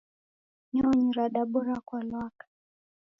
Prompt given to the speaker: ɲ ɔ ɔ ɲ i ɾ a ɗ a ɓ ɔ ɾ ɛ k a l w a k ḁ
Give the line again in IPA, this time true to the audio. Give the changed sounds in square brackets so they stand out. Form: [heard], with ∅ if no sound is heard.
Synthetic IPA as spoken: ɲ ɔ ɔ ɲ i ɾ a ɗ a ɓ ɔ ɾ [a] k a l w a k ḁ